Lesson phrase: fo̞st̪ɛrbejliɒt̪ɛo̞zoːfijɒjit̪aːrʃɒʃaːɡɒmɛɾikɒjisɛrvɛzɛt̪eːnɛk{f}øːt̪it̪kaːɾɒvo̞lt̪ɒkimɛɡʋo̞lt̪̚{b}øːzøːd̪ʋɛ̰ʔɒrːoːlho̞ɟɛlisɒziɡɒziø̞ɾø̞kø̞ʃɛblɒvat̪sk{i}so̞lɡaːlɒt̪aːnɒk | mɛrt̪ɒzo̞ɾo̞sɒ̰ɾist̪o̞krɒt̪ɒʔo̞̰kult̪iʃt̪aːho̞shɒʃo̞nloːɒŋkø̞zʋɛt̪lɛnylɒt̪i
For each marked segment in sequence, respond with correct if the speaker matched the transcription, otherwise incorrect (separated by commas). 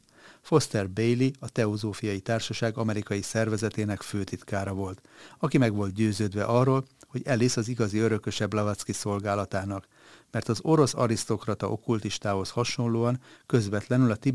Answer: correct, incorrect, correct